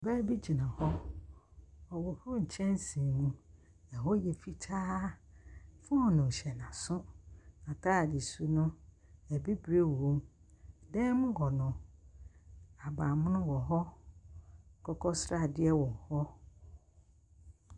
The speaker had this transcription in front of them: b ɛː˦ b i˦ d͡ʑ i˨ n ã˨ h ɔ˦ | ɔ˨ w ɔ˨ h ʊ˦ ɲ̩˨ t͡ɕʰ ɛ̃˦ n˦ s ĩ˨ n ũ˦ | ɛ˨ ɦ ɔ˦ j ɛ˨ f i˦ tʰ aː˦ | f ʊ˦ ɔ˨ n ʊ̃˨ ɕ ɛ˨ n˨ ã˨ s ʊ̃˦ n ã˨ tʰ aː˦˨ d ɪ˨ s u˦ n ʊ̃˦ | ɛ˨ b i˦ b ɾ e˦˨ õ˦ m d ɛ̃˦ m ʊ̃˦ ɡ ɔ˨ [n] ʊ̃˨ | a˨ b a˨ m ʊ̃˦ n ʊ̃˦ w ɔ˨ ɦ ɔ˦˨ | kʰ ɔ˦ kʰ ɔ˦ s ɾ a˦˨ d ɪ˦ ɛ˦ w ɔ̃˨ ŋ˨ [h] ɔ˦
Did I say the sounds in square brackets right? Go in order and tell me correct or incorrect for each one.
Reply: correct, correct

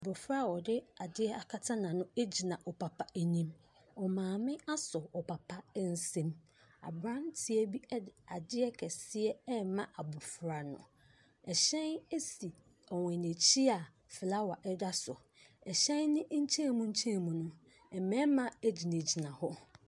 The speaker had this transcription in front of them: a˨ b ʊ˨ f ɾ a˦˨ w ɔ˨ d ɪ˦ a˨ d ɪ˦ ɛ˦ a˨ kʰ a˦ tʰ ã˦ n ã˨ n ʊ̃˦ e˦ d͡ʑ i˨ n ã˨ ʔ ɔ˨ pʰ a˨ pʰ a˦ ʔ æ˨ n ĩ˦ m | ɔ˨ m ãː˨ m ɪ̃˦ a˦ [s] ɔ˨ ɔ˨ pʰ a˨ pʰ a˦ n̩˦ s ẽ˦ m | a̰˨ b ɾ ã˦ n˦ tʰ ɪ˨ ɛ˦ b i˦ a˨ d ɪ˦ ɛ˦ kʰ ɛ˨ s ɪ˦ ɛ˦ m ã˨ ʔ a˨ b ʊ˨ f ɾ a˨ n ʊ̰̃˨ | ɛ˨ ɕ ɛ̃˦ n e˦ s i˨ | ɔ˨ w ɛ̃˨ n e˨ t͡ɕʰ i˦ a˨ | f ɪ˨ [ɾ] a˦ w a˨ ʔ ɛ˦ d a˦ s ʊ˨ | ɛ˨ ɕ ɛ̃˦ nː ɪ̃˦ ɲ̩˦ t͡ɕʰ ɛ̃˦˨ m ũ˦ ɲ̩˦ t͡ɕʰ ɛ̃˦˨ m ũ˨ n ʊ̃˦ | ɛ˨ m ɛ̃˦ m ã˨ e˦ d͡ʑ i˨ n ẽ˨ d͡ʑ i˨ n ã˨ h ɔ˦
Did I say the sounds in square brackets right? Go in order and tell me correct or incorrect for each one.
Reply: correct, incorrect: l

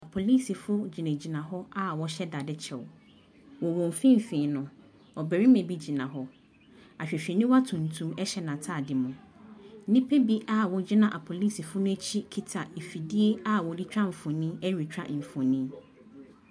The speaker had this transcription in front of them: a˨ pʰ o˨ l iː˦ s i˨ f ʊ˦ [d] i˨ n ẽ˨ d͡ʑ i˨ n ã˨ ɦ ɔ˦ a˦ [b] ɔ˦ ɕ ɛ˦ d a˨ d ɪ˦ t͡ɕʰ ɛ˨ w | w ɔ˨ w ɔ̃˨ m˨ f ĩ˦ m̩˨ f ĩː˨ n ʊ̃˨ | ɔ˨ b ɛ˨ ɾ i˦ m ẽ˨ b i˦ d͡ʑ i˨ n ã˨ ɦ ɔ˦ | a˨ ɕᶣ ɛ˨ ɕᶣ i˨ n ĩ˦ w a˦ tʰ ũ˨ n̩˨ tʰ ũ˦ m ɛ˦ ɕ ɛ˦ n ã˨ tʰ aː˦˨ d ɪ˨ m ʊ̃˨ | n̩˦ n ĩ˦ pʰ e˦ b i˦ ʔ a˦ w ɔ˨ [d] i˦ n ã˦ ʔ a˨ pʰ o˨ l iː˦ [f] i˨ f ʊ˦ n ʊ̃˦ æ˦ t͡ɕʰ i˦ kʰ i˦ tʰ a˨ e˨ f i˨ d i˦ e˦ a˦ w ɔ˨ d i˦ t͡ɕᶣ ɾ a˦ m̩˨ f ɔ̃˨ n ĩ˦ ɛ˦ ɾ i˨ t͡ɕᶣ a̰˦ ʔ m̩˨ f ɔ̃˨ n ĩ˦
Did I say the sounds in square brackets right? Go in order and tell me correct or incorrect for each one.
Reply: incorrect: d͡ʑ, incorrect: w, incorrect: d͡ʑ, incorrect: s

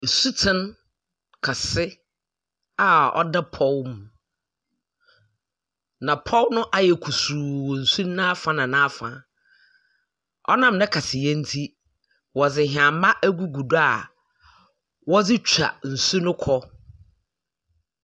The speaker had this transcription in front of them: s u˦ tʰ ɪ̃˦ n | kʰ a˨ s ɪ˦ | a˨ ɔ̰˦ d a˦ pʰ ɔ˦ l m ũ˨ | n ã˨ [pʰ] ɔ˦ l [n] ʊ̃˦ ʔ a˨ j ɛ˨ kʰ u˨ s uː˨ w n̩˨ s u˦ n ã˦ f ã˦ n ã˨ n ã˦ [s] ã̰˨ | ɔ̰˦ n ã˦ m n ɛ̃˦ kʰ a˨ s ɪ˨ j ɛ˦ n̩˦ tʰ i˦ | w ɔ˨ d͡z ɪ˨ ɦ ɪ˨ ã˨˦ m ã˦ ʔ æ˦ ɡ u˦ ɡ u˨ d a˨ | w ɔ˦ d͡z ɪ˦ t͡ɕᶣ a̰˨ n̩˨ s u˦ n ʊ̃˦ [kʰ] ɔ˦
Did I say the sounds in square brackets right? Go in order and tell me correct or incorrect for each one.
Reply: correct, correct, incorrect: f, correct

